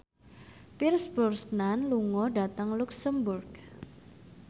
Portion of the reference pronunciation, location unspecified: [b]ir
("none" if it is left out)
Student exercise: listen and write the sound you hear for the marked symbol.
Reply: p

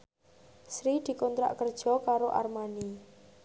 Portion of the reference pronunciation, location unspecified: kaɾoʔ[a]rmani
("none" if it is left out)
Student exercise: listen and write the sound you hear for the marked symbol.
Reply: a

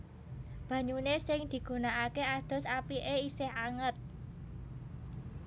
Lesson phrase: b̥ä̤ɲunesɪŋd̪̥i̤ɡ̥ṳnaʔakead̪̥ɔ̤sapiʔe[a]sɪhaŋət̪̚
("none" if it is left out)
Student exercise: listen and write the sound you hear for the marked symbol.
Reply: i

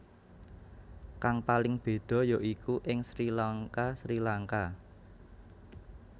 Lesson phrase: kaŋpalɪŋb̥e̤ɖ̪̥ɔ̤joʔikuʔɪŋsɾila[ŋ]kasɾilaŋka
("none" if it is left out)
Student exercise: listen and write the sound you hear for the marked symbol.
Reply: ŋ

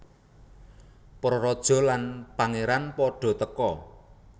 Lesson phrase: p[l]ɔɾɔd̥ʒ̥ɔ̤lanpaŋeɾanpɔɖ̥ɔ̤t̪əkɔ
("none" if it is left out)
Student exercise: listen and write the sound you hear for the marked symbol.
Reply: ɾ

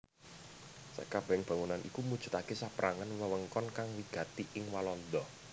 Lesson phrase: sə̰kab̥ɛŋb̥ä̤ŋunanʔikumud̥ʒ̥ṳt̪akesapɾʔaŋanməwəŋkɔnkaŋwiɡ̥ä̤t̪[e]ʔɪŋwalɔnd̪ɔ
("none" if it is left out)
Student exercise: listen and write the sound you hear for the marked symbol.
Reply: i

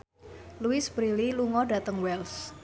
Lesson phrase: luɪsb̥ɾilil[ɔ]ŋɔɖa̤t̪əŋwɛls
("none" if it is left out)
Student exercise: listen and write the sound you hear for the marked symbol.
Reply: u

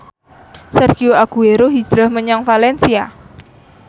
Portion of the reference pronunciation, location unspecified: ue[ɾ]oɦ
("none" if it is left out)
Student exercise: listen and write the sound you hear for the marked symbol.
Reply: ɾ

